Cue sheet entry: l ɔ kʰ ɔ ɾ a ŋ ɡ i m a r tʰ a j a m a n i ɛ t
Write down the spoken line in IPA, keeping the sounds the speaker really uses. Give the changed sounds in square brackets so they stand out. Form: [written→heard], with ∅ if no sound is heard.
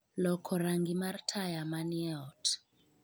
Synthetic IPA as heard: l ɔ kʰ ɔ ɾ a ŋ ɡ i m a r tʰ a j a m a n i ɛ t